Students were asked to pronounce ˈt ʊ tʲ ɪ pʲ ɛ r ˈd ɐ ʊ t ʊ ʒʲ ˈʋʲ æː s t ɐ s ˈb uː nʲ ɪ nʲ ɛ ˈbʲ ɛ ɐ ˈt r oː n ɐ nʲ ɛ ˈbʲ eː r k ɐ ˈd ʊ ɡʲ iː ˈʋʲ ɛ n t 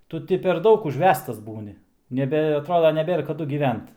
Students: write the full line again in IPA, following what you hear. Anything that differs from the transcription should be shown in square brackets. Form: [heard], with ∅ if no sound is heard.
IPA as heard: ˈt ʊ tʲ ɪ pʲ ɛ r ˈd ɐ ʊ [k] ʊ ʒʲ ˈʋʲ æː s t ɐ s ˈb uː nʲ ɪ nʲ ɛ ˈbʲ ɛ ɐ ˈt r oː [d] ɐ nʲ ɛ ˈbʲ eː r k ɐ ˈd ʊ ɡʲ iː ˈʋʲ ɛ n t